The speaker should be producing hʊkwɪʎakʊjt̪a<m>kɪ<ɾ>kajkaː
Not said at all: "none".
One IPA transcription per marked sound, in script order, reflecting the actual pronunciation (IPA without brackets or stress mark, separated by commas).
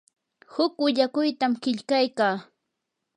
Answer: m, ʎ